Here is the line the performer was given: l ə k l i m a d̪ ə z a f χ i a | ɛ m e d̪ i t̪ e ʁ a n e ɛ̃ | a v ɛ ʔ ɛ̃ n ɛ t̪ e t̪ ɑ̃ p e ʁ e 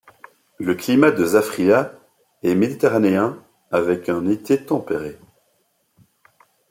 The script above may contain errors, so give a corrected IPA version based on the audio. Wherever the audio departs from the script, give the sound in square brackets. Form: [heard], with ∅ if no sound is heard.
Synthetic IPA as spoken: l ə k l i m a d̪ ə z a f χ i a | ɛ m e d̪ i t̪ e ʁ a n e ɛ̃ | a v ɛ [k] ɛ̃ n [e] t̪ e t̪ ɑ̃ p e ʁ e